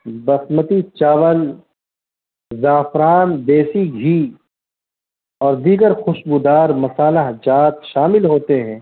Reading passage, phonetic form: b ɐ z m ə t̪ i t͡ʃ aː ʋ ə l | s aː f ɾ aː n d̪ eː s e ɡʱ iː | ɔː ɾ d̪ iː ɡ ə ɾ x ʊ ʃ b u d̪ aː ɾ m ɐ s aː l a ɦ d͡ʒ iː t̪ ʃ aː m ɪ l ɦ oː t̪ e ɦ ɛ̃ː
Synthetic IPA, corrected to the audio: b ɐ s m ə t̪ i t͡ʃ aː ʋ ə l | z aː f ɾ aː n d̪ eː s i ɡʱ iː | ɔː ɾ d̪ iː ɡ ə ɾ x ʊ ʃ b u d̪ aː ɾ m ɐ s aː l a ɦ d͡ʒ aː t̪ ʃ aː m ɪ l ɦ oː t̪ e ɦ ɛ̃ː